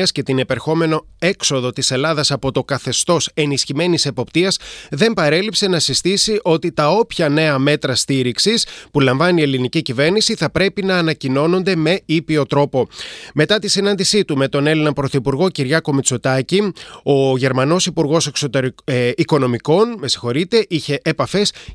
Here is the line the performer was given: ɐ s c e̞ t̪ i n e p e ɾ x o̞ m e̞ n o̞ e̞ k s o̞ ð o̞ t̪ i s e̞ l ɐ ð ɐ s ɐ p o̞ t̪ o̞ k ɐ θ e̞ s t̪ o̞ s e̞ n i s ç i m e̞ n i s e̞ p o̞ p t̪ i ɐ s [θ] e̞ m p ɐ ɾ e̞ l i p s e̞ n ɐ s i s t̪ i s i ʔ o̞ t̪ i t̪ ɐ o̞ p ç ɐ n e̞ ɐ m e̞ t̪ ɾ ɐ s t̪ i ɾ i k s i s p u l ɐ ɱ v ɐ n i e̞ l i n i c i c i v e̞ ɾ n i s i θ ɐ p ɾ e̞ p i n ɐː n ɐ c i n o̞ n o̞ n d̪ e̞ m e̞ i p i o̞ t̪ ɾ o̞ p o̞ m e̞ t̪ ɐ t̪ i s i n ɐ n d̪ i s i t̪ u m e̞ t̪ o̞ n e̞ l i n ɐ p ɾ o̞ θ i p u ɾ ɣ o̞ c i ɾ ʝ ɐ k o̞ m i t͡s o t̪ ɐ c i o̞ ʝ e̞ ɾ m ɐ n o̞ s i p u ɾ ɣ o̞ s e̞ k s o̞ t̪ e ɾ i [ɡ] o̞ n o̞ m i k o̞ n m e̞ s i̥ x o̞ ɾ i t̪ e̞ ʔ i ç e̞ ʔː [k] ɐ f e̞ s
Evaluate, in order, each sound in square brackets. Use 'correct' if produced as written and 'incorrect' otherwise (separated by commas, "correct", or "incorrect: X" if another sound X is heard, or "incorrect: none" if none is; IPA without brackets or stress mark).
incorrect: ð, incorrect: k, incorrect: p